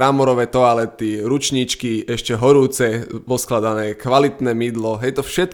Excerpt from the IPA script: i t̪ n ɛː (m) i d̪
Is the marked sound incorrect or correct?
correct